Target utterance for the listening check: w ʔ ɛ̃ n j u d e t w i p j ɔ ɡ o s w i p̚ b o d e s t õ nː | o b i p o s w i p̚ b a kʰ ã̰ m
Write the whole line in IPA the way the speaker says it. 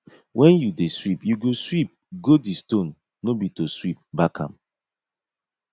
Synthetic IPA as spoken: w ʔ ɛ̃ n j u d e s w i p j u ɡ o s w i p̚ ɡ o d i s t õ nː | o b i t o s w i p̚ b a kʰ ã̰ m